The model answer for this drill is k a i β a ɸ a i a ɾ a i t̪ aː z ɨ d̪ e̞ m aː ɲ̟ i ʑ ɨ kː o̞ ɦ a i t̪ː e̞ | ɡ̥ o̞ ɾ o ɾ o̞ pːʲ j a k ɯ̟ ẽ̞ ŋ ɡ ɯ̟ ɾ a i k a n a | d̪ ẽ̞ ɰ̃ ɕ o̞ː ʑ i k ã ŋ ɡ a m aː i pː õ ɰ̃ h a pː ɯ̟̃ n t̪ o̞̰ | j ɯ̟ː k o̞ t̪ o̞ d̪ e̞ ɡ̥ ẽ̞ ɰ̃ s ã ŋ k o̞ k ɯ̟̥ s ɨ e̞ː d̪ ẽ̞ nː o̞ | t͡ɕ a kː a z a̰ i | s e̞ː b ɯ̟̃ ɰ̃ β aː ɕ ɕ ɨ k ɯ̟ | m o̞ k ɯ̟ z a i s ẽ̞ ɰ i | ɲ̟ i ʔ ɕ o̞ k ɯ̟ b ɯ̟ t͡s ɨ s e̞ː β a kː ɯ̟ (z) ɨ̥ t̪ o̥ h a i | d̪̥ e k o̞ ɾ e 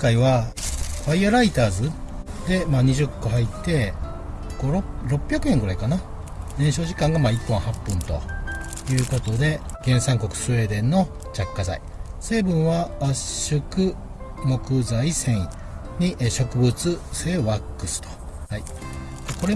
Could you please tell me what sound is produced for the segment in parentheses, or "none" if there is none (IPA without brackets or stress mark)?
s